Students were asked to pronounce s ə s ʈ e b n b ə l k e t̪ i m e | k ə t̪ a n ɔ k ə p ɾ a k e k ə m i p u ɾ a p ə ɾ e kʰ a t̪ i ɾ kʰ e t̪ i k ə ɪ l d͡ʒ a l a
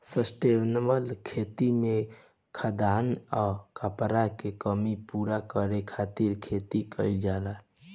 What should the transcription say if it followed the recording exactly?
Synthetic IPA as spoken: s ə s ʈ e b n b ə l kʰ e t̪ i m e | kʰ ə d̪ a n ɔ k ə p ɾ a k e k ə m i p u ɾ a k ə ɾ e kʰ a t̪ i ɾ kʰ e t̪ i k ə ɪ l d͡ʒ a l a